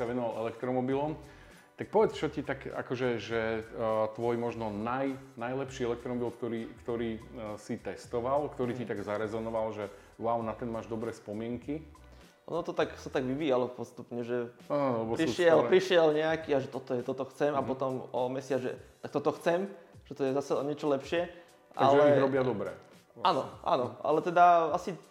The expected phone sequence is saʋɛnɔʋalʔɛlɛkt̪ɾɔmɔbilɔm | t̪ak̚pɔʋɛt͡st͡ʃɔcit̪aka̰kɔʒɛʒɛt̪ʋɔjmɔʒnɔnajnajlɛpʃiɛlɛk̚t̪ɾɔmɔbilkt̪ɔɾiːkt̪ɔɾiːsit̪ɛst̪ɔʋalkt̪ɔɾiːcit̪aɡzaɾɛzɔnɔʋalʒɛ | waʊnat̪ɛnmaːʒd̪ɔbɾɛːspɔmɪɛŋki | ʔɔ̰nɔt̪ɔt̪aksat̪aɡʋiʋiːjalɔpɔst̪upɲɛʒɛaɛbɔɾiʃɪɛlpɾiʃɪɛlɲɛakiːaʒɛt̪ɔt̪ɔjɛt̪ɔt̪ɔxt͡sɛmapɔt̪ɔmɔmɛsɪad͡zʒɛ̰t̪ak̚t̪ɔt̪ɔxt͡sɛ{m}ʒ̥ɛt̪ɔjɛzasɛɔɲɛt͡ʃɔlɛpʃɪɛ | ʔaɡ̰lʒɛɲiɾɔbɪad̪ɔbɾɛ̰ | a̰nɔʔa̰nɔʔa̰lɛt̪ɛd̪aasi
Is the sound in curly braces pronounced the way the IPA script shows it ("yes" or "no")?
yes